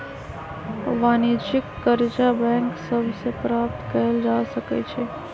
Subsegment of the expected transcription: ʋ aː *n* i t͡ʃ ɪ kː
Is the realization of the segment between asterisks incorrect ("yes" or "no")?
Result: no